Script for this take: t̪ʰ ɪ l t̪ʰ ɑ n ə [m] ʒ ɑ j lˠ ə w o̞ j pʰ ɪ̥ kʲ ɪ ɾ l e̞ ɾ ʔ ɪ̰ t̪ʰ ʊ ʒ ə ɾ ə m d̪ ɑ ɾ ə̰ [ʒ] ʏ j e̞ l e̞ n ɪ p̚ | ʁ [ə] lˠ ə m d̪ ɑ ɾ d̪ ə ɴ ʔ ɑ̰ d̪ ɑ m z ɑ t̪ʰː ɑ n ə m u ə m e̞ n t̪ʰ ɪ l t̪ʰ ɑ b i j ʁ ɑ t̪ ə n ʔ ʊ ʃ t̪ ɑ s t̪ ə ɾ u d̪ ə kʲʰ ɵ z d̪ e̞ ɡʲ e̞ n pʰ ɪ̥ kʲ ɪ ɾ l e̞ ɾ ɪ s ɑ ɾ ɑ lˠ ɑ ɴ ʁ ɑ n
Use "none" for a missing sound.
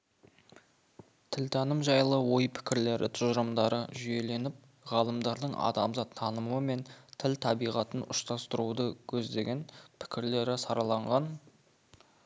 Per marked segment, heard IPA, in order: m, ʒ, ɑ

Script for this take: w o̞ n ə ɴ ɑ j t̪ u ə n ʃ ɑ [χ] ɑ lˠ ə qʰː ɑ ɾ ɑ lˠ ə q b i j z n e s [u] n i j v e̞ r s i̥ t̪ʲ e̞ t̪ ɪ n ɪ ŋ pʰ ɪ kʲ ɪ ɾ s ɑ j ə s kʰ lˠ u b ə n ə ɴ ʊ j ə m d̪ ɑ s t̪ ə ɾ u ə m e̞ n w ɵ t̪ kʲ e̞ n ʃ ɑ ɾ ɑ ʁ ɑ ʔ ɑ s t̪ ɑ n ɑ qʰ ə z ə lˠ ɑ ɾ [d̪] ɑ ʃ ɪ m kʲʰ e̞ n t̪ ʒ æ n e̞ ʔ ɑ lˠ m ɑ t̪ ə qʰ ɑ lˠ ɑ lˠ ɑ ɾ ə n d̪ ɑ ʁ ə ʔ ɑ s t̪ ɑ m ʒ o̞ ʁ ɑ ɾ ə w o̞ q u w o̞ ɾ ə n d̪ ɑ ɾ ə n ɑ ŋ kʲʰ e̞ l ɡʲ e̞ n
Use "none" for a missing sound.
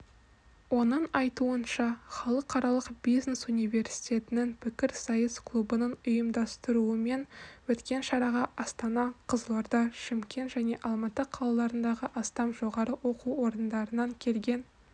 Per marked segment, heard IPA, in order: χ, u, d̪

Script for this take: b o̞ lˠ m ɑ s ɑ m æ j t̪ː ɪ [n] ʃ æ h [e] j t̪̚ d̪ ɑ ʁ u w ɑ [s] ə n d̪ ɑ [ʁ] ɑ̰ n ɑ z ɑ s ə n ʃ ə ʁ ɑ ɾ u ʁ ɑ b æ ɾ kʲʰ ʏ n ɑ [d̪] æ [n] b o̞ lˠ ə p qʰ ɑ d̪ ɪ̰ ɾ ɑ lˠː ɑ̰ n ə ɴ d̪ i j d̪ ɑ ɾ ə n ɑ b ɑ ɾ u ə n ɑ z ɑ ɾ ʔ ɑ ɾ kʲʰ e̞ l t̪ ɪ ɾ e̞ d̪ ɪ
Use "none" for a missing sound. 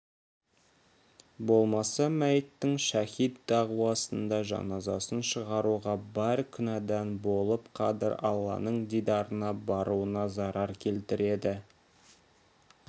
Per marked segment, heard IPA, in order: ŋ, i, s, ʒ, d̪, n

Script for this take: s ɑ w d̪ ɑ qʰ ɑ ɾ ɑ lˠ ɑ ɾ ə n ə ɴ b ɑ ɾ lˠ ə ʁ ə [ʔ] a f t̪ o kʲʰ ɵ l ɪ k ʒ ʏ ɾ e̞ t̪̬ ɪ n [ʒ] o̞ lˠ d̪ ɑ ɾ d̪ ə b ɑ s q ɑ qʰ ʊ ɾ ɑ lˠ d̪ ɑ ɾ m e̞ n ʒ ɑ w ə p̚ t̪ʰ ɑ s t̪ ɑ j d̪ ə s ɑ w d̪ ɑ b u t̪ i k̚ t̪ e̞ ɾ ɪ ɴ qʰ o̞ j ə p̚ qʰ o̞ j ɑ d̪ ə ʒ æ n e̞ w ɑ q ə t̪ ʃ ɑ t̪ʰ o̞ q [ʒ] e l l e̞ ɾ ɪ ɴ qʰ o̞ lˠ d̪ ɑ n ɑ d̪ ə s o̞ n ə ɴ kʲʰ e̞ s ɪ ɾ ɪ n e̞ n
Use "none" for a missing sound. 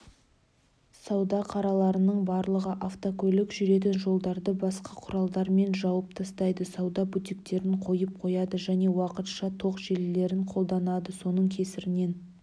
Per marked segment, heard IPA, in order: ʔ, ʒ, ʒ

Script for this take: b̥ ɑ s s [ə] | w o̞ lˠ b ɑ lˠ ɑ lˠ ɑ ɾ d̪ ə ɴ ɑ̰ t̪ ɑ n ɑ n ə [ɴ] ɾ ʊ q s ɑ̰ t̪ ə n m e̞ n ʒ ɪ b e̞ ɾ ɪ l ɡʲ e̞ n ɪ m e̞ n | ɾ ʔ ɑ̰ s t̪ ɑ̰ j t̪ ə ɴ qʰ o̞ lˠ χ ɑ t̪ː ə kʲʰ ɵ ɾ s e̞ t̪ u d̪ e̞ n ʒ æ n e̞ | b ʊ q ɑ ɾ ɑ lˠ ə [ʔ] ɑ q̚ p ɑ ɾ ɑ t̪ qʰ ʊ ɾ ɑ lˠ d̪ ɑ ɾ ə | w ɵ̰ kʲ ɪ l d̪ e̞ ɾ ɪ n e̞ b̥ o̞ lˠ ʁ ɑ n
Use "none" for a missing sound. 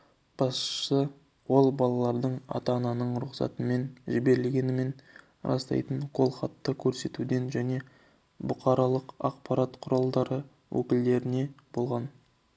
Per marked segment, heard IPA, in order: ə, ɴ, q

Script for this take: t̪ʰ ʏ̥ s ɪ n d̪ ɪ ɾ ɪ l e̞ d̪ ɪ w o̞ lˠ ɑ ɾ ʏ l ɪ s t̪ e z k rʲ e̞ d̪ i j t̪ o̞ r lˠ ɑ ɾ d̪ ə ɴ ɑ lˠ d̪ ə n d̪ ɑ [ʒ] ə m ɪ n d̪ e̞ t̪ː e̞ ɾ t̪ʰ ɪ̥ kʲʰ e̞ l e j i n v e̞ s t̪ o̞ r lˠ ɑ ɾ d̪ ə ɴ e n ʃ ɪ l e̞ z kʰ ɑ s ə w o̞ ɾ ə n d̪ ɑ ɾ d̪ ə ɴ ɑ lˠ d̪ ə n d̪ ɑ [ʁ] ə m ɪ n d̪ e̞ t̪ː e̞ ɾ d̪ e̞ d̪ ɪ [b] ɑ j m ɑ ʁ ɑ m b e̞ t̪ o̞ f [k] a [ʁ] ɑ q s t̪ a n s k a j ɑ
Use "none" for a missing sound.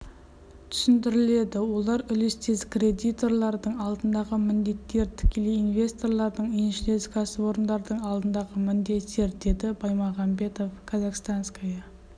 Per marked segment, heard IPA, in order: ʁ, ʁ, b, kʰ, z

